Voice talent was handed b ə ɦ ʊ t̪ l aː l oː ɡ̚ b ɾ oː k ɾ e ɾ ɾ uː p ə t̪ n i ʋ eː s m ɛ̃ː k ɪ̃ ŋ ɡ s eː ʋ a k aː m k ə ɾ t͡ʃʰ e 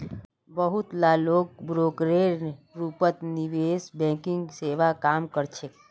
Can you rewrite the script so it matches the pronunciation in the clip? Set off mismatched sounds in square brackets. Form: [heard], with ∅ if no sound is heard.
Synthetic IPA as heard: b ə ɦ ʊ t̪ l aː l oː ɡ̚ b ɾ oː k ɾ e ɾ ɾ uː p ə t̪ n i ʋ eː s [b] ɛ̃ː k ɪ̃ ŋ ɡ s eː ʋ a k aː m k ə ɾ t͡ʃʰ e

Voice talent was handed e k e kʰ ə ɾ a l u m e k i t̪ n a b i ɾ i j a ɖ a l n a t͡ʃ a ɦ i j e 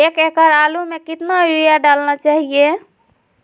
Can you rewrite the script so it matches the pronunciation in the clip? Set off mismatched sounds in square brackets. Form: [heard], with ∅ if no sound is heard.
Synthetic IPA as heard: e k e [k] ə ɾ a l u m e k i t̪ n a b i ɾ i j a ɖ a l n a t͡ʃ a ɦ i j e

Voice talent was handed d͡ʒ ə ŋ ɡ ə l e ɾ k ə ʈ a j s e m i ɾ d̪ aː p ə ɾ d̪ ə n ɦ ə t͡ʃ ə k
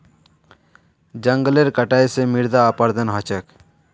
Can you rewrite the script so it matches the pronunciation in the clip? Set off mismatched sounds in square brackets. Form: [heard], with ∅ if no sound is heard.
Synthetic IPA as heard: d͡ʒ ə ŋ ɡ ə l e ɾ k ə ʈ a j s e m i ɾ d̪ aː p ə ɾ d̪ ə n ɦ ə t͡ʃ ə k

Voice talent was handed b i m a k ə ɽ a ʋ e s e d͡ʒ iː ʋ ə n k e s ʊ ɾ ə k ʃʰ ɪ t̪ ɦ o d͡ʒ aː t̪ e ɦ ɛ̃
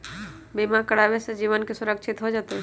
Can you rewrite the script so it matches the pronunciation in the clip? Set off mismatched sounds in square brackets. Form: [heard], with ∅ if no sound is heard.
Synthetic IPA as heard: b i m a k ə ɽ a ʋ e s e d͡ʒ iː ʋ ə n k e s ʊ ɾ ə k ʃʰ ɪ t̪ ɦ o d͡ʒ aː t̪ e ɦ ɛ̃

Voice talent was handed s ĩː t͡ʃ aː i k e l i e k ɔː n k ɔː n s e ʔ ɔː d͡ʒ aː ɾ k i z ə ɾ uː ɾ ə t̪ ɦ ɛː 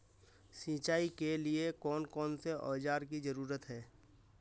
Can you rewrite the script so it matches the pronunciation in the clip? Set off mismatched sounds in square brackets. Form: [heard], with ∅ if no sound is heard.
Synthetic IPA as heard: s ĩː t͡ʃ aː i k e l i e k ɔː n k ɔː n s e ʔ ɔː d͡ʒ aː ɾ k i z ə ɾ uː ɾ ə t̪ ɦ ɛː

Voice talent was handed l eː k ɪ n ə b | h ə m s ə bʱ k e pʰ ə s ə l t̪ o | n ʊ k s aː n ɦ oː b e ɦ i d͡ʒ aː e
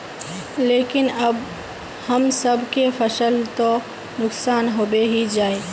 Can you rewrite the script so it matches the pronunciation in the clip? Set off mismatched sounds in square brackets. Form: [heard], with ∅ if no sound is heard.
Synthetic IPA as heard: l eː k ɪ n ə b | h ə m s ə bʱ k e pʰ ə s ə l t̪ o | n ʊ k s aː n ɦ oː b e ɦ i d͡ʒ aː e

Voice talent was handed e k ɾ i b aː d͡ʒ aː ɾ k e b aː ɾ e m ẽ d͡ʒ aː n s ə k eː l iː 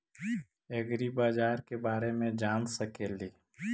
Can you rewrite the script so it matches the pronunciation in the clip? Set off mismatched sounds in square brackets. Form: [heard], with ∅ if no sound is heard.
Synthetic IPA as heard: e [ɡ] ɾ i b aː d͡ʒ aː ɾ k e b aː ɾ e m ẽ d͡ʒ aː n s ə k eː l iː

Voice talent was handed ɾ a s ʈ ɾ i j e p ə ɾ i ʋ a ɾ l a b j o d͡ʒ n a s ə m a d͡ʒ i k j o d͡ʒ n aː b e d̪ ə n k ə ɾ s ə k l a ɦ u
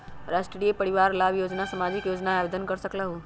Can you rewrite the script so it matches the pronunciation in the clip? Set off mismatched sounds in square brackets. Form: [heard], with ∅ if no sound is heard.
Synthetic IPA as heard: ɾ a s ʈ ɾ i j e p ə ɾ i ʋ a ɾ l a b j o d͡ʒ n a s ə m a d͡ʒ i k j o d͡ʒ n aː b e d̪ ə n k ə ɾ s ə k l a ɦ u

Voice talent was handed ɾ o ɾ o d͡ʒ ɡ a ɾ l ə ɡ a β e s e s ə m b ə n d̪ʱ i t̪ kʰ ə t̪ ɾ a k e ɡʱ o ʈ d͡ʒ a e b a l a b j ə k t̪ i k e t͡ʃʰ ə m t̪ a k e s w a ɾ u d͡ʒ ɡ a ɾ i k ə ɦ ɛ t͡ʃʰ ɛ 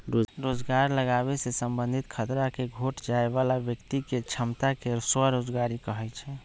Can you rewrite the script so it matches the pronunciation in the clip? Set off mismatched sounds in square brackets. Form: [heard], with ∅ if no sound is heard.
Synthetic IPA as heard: ɾ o ɾ o d͡ʒ ɡ a ɾ l ə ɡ a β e s e s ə m b ə n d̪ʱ i t̪ kʰ ə t̪ ɾ a k e ɡʱ o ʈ d͡ʒ a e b a l a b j ə k t̪ i k e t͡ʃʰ ə m t̪ a k e s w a ɾ [o] d͡ʒ ɡ a ɾ i k ə ɦ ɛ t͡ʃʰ ɛ

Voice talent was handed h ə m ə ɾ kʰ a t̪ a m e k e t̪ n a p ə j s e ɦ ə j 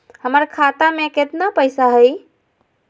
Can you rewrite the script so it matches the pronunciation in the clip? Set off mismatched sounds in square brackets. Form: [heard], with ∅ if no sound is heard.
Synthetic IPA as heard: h ə m ə ɾ kʰ a t̪ a m e k e t̪ n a p ə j s [a] ɦ ə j

